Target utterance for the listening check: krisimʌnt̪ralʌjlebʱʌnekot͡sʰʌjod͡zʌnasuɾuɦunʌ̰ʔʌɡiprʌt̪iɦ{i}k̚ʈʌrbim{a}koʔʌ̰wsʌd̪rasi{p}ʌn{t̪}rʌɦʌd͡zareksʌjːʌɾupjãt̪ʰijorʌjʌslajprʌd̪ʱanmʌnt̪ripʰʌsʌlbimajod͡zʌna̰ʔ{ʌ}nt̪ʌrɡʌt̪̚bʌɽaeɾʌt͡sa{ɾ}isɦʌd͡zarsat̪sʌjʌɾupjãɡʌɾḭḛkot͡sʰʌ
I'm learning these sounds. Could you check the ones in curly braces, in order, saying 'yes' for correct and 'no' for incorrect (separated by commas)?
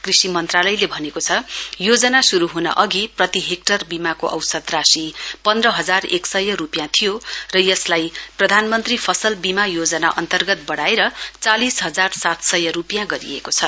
no, yes, yes, no, yes, no